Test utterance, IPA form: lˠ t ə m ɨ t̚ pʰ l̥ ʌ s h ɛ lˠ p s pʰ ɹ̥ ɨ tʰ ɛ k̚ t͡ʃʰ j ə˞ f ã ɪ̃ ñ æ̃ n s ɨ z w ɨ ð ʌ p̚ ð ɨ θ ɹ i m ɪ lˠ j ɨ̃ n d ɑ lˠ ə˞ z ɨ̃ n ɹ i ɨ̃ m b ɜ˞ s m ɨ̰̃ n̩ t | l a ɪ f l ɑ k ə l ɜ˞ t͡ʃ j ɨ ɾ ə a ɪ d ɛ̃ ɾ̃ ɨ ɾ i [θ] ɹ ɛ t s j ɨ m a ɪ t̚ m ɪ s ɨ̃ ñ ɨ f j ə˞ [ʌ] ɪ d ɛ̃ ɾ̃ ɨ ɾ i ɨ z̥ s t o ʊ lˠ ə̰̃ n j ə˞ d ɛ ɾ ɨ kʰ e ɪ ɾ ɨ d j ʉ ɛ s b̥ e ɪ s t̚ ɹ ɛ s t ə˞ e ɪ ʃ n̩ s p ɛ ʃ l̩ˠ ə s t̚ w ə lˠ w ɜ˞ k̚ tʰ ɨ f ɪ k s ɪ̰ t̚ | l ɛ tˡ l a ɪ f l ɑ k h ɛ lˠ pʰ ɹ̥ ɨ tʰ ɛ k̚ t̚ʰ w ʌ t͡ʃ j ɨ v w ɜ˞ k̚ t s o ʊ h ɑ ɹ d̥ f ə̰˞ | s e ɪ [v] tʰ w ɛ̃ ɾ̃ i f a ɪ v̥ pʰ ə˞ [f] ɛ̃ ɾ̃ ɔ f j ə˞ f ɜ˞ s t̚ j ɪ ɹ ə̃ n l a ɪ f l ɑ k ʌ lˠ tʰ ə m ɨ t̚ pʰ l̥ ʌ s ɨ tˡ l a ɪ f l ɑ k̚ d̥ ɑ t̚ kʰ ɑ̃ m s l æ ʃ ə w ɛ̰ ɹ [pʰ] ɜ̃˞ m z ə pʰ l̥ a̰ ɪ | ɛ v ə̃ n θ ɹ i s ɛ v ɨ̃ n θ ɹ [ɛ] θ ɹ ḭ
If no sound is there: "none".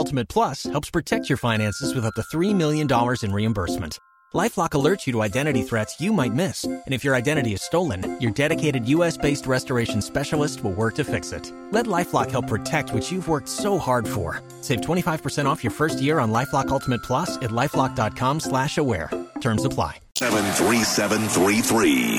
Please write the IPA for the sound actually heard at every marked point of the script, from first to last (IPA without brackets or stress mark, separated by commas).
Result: θ, a, v, s, tʰ, i